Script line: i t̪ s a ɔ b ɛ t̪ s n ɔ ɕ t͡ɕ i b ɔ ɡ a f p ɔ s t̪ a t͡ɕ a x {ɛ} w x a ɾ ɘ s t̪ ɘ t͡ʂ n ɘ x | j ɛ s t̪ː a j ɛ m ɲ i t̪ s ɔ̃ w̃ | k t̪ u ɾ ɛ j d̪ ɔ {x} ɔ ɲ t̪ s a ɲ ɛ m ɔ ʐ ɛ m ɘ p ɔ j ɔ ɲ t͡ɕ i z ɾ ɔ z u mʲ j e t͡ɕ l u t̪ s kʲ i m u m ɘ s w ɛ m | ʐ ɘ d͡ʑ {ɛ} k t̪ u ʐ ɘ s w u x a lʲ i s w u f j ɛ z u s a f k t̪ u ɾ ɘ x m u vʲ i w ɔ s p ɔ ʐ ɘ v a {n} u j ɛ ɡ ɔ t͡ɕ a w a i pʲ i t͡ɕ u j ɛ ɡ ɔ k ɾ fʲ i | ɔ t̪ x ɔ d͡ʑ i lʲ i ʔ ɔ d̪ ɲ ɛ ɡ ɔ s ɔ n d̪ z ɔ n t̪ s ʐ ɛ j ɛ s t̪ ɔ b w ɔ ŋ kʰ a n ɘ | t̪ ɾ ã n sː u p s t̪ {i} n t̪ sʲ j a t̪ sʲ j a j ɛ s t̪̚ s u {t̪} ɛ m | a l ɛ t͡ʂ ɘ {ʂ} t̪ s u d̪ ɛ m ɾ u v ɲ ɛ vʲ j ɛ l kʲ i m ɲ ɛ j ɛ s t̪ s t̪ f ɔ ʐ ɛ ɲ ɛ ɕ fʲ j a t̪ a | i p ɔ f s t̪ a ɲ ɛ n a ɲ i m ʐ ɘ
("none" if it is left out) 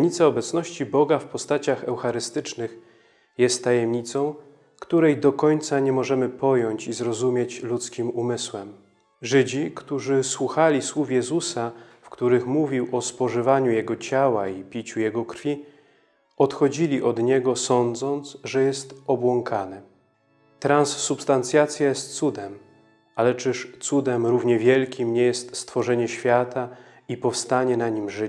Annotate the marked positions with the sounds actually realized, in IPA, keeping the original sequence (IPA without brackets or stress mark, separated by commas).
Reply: ɛ, k, i, ɲ, a, d̪, ʂ